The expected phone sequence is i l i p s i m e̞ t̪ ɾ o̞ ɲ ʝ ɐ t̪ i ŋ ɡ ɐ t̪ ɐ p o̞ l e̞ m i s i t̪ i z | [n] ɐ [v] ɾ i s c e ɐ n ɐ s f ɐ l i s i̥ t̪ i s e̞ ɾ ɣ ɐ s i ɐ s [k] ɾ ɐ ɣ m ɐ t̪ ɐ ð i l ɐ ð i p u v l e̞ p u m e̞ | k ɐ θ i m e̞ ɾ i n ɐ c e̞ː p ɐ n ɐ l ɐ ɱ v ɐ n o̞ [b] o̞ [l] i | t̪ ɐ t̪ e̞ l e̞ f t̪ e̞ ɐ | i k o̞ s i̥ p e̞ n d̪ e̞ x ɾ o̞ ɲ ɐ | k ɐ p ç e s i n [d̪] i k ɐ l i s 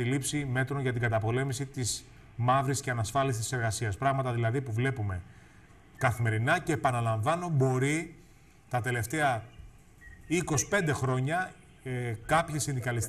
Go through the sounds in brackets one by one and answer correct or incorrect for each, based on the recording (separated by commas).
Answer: incorrect, correct, incorrect, correct, incorrect, correct